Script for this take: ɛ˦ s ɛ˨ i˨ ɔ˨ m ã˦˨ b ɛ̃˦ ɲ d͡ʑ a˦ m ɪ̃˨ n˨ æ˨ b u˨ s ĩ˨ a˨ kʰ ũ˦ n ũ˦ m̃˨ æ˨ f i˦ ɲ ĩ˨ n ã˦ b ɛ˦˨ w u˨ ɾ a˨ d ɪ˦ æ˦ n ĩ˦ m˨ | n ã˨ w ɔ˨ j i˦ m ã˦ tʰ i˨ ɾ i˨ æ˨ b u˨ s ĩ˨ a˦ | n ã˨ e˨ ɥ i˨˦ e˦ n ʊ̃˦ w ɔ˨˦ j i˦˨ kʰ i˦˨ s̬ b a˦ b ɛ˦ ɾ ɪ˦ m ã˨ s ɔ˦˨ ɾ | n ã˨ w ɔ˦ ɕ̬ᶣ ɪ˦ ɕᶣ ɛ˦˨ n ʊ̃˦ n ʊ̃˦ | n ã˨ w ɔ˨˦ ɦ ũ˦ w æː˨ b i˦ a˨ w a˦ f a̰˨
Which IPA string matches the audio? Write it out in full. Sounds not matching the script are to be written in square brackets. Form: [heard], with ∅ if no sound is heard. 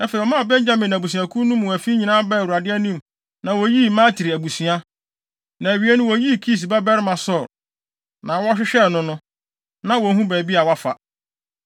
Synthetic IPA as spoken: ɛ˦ [f] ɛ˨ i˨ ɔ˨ m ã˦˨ b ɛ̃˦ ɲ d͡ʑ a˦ m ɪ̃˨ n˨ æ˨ b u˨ s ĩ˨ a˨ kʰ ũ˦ n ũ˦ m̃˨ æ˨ f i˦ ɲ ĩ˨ n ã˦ b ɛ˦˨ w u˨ ɾ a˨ d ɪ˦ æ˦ n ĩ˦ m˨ | n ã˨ w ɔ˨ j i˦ m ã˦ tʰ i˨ ɾ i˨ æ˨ b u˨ s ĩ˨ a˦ | n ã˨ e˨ ɥ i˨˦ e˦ n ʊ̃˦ w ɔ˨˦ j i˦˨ kʰ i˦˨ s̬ b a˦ b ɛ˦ ɾ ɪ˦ m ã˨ s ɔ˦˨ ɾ | n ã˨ w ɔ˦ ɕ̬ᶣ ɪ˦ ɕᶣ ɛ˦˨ n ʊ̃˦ n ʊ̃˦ | n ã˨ w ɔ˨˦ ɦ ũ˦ [b] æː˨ b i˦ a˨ w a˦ f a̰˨

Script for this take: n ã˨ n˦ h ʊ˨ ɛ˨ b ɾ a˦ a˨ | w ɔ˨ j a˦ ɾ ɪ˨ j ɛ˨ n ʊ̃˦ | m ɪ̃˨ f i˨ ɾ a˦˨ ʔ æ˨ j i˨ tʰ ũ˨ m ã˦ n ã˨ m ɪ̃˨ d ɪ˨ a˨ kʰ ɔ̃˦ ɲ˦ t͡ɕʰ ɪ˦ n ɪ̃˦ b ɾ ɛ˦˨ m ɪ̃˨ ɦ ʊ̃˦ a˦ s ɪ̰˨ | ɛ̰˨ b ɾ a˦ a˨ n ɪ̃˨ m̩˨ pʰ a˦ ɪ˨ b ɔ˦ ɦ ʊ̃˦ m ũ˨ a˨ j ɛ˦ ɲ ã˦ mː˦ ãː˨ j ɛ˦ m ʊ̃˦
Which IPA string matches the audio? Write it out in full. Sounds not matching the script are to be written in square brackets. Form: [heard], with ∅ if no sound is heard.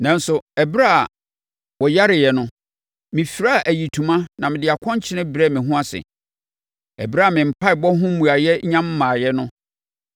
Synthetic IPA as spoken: n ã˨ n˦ [s] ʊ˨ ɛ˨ b ɾ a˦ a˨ | w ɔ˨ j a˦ ɾ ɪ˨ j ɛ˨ n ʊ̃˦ | m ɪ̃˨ f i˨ ɾ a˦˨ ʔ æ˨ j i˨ tʰ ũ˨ m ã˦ n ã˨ m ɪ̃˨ d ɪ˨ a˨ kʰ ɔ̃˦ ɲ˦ t͡ɕʰ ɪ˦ n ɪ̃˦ b ɾ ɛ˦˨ m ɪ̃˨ ɦ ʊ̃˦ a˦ s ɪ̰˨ | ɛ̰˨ b ɾ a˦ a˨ [m] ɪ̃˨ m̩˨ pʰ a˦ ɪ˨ b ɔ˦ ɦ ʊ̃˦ m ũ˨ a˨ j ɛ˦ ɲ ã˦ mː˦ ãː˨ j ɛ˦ [n] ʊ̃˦

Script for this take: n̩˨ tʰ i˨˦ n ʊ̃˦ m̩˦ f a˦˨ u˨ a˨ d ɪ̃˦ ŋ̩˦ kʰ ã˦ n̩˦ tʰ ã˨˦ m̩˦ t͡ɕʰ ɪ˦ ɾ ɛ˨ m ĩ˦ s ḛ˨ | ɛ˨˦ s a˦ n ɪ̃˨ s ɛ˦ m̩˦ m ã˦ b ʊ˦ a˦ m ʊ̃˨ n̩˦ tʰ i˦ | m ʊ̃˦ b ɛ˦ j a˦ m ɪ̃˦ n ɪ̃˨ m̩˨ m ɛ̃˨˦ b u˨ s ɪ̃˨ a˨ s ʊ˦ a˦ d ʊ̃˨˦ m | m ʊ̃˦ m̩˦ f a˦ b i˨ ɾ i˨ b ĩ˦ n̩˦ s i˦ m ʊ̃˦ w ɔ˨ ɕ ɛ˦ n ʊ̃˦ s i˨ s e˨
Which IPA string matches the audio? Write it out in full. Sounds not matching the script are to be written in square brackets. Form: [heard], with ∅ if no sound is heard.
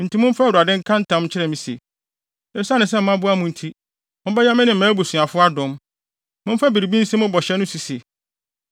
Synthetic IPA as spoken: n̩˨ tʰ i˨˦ [m] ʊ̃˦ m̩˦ f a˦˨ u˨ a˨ d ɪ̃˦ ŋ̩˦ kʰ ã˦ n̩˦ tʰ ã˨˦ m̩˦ t͡ɕʰ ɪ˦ ɾ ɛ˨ m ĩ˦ s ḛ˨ | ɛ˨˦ s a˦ n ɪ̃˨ s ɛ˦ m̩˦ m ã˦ b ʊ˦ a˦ m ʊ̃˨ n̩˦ tʰ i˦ | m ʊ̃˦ b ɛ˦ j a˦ m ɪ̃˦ n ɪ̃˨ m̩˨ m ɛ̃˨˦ b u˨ s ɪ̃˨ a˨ [f] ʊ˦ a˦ d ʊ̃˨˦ m | m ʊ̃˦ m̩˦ f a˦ b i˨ ɾ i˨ b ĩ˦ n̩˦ s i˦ m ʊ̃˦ [b] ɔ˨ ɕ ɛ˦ n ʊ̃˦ s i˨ s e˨

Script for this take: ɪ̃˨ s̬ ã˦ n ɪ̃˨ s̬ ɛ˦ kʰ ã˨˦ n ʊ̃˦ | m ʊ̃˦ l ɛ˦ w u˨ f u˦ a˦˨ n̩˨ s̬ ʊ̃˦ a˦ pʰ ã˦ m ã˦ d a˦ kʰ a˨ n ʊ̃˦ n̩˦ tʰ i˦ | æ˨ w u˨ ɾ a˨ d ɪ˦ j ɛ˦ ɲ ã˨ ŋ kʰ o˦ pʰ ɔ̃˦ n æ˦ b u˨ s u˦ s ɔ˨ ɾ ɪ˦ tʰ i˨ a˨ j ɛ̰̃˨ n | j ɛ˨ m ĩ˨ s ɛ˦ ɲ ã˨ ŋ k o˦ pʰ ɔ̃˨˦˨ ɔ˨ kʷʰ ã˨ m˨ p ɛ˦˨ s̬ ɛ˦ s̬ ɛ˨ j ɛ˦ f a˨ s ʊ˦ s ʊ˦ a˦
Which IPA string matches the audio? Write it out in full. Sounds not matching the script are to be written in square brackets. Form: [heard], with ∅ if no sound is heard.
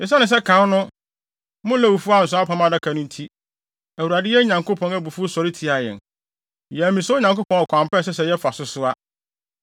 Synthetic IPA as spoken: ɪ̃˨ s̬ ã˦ n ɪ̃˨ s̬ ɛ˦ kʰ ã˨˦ n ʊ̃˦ | m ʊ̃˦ l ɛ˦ w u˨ f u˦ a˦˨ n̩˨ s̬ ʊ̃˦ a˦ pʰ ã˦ m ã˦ d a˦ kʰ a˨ n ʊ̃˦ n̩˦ tʰ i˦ | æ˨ w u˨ ɾ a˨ d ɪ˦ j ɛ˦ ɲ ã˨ ŋ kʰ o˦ pʰ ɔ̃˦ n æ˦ b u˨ [f] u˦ s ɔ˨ ɾ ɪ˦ tʰ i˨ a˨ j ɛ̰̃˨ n | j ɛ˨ m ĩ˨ s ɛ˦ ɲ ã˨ ŋ k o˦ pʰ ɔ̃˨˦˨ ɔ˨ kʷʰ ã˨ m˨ p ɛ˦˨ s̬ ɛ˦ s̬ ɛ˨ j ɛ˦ f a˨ s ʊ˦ s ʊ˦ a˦

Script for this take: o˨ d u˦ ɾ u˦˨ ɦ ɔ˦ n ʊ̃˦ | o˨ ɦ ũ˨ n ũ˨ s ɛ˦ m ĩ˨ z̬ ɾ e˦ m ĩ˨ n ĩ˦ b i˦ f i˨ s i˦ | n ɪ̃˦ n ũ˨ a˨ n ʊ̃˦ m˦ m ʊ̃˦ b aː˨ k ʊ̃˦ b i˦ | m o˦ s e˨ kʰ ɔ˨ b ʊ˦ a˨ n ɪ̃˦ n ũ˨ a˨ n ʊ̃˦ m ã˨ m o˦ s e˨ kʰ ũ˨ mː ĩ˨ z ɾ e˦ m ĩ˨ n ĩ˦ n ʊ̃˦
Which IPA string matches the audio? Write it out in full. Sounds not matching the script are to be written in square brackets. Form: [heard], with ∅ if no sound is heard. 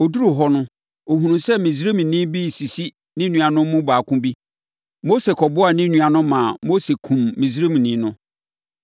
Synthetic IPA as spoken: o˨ d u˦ ɾ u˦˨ ɦ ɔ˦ n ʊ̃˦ | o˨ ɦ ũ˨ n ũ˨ s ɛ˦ m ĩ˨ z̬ ɾ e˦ m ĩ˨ n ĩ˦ b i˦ [s] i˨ s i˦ | n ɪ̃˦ n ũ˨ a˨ n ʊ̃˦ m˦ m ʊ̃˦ b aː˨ k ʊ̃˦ b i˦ | m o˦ s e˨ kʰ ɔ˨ b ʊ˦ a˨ n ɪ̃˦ n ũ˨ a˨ n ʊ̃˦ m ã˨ m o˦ s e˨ kʰ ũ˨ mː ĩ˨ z ɾ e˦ m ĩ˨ n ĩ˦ n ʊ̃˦

